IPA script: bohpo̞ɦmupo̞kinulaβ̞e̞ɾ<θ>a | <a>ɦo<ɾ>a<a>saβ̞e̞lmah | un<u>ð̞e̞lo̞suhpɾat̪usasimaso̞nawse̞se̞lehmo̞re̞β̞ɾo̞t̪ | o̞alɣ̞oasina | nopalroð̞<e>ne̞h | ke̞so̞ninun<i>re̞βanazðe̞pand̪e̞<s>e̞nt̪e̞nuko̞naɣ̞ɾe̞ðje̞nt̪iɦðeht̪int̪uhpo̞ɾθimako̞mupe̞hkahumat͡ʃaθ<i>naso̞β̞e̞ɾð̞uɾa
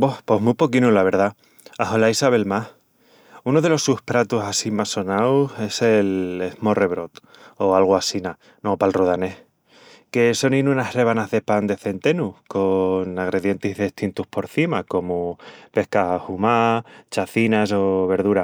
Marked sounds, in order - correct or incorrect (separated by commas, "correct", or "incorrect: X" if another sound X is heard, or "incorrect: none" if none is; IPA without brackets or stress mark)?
incorrect: ð, correct, incorrect: l, incorrect: i, incorrect: o, incorrect: a, incorrect: a, incorrect: θ, correct